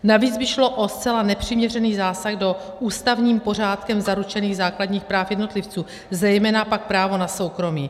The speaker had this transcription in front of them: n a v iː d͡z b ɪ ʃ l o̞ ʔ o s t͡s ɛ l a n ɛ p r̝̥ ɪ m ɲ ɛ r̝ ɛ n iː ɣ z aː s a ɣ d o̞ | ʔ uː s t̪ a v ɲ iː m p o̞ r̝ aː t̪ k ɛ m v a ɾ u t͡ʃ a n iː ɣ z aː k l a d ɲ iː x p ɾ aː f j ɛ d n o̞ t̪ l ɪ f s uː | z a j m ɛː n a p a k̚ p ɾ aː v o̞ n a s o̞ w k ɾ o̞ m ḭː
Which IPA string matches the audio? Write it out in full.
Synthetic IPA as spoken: n a v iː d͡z b ɪ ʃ l o̞ ʔ o s t͡s ɛ l a n ɛ p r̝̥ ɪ m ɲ ɛ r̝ ɛ n iː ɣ z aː s a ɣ d o̞ | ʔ uː s t̪ a v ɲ iː m p o̞ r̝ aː t̪ k ɛ m z a ɾ u t͡ʃ ɛ n iː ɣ z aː k l a d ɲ iː x p ɾ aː f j ɛ d n o̞ t̪ l ɪ f t͡s uː | z ɛ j m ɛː n a p a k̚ p ɾ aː v o̞ n a s o̞ w k ɾ o̞ m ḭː